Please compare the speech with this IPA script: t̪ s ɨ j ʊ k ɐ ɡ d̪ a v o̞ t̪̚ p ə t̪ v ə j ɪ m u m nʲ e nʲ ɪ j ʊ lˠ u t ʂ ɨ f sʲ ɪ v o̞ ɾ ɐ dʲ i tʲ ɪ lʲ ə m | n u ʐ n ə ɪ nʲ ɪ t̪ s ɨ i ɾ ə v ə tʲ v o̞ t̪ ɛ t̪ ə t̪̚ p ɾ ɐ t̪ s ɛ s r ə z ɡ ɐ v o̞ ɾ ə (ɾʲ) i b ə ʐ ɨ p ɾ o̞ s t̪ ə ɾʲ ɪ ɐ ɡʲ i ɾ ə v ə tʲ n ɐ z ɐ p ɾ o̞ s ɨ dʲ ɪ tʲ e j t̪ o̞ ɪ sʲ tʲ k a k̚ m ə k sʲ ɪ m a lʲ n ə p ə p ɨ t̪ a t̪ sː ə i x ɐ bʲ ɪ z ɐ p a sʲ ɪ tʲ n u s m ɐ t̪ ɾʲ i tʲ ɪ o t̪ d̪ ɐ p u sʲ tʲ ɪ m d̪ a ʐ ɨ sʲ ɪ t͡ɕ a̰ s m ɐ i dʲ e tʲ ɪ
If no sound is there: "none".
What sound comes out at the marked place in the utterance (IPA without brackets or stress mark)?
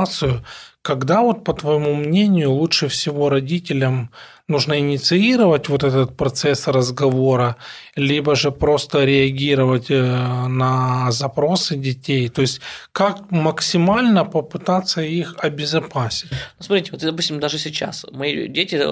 lʲ